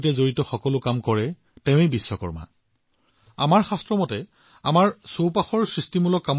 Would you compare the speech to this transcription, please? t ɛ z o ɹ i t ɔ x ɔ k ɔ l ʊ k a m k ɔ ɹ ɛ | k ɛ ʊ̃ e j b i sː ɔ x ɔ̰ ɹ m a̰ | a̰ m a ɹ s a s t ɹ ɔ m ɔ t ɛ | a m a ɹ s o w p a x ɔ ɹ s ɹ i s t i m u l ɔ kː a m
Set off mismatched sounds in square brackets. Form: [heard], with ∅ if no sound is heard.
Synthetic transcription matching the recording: t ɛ z o ɹ i t ɔ x ɔ k ɔ l ʊ k a m k ɔ ɹ ɛ | [t] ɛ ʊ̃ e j b i sː ɔ [k] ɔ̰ ɹ m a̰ | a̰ m a ɹ [x] a s t ɹ ɔ m ɔ t ɛ | a m a ɹ s o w p a x ɔ ɹ s ɹ i s t i m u l ɔ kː a m